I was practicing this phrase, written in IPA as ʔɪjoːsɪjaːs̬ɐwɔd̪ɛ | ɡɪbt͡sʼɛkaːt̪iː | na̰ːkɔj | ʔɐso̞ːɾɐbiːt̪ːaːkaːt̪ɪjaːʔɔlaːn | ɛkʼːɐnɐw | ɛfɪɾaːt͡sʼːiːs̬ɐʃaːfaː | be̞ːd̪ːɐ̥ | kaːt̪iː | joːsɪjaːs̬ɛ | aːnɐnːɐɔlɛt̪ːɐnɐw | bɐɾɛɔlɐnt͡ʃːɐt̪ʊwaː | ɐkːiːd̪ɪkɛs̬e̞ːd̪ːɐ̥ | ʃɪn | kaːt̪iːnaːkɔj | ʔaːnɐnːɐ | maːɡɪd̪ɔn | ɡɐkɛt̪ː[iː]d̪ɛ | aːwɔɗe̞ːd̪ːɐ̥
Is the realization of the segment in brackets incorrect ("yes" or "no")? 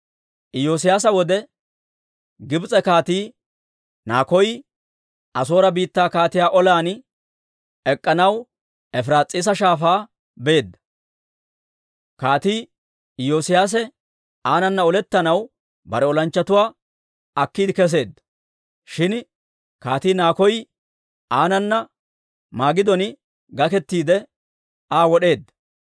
no